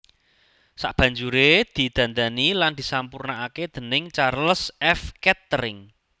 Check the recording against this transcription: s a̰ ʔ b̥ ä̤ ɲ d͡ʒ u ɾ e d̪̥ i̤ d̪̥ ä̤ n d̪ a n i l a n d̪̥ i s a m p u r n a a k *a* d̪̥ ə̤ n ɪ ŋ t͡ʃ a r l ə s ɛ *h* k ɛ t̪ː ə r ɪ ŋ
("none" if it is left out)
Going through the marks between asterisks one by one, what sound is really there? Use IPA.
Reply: e, f

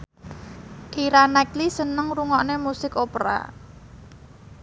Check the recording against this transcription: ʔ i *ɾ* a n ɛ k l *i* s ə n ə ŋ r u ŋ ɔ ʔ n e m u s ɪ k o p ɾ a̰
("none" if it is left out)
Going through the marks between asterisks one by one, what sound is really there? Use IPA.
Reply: ɾ, i

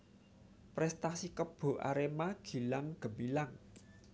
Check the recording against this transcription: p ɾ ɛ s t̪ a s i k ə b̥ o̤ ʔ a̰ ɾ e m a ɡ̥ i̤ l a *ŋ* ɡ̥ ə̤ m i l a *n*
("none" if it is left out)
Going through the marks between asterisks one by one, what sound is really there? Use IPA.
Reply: ŋ, ŋ

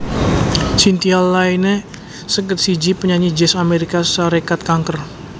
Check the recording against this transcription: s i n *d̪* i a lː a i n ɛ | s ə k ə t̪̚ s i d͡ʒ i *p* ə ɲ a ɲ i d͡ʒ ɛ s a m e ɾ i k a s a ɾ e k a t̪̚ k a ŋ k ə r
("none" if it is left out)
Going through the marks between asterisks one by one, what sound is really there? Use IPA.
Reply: t̪, p

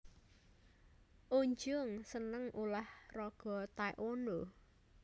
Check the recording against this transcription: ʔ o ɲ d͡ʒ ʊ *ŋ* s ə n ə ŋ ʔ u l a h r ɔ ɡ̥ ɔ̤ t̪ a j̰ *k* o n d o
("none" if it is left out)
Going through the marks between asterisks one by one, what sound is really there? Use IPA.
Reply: ŋ, ʔ

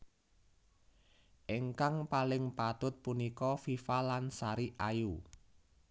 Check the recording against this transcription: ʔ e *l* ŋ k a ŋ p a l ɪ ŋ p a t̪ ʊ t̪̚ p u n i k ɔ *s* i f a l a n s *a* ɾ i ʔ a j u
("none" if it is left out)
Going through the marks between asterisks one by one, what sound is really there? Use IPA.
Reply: none, f, a

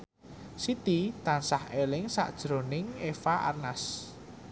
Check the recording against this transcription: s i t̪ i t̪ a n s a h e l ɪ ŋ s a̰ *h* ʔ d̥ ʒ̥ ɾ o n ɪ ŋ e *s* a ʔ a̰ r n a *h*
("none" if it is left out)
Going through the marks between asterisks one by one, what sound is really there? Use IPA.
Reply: none, f, s

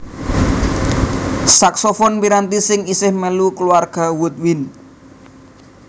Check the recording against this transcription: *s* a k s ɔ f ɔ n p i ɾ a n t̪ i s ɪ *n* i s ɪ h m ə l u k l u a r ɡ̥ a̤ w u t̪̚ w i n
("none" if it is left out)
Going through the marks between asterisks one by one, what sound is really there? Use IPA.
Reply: s, ŋ

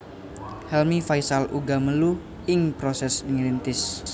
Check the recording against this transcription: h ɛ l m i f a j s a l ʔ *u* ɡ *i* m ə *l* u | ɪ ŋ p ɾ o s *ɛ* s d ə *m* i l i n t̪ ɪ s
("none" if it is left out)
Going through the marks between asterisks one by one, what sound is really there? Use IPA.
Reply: u, a, l, ɛ, ŋ

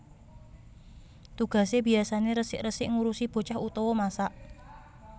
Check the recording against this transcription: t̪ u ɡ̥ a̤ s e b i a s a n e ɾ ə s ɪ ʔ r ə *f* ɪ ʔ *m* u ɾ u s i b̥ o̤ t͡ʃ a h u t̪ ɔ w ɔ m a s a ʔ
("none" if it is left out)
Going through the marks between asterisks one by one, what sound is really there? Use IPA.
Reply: s, ŋ

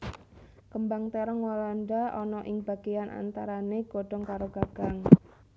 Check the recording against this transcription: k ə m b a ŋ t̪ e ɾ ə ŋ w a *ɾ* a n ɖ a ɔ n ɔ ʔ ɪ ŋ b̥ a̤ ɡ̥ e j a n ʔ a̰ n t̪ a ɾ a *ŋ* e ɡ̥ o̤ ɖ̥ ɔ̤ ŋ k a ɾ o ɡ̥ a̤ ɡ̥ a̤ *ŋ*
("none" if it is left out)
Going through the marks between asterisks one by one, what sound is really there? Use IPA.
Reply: l, n, ŋ

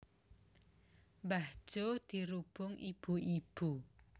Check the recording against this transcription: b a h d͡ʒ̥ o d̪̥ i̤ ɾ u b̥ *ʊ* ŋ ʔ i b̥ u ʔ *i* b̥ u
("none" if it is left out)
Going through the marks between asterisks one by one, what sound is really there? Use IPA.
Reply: ʊ, i

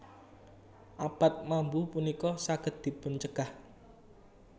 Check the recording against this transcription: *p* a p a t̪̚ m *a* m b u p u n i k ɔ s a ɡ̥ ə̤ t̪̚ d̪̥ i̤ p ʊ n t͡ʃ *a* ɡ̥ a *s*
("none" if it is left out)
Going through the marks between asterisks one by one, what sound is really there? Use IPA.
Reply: ʔ, a, ə, h

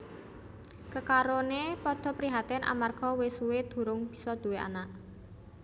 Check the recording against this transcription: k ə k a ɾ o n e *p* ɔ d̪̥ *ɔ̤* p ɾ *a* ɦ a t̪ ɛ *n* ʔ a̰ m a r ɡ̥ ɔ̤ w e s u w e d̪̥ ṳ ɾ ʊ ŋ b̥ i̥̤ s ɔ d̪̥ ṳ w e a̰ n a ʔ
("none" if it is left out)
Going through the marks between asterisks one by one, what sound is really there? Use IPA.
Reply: p, ɔ̤, i, n

